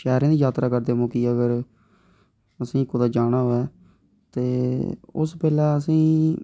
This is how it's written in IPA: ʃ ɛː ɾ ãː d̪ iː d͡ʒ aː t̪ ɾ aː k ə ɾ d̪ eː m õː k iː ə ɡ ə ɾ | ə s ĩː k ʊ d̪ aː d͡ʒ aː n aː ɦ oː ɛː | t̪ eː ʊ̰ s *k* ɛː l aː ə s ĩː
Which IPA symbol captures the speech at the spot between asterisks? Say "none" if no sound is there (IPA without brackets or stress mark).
p